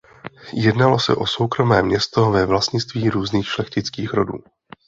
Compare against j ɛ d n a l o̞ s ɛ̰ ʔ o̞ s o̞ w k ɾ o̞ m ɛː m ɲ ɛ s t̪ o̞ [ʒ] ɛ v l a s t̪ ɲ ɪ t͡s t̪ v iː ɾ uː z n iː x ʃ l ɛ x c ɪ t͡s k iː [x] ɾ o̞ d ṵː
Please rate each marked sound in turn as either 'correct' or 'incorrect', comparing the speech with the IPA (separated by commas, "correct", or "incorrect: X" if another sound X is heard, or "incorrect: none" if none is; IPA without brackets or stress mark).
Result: incorrect: v, correct